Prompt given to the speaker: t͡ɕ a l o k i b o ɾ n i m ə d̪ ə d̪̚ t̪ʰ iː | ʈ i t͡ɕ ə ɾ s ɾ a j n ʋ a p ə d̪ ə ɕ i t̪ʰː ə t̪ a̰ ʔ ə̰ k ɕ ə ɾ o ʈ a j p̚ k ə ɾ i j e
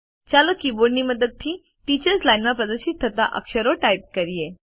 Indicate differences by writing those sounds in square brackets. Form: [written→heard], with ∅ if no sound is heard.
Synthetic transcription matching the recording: t͡ɕ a l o k i b o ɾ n i m ə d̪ ə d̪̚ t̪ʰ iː | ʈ i t͡ɕ ə ɾ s [ɾ→l] a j n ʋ a p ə d̪ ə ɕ i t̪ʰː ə t̪ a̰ ʔ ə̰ k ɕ ə ɾ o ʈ a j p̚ k ə ɾ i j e